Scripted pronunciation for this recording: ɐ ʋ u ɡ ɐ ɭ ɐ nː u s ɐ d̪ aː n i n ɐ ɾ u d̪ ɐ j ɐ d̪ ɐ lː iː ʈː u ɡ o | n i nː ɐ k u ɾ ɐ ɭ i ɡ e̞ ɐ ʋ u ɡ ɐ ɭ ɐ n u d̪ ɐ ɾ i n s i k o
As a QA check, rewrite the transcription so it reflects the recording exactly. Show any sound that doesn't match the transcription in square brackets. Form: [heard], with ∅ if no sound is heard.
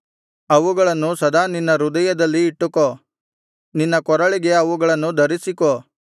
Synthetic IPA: ɐ ʋ u ɡ ɐ ɭ ɐ nː u s ɐ d̪ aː n i [nː] ɐ ɾ u d̪ ɐ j ɐ d̪ ɐ lː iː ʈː u [k] o | n i nː ɐ k [ɔ] ɾ ɐ ɭ i ɡ e̞ ɐ ʋ u ɡ ɐ ɭ ɐ [nː] u d̪ ɐ ɾ i [∅] s i k o